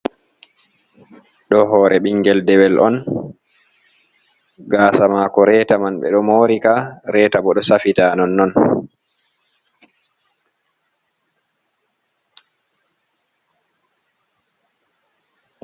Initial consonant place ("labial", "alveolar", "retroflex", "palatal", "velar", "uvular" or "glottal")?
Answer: alveolar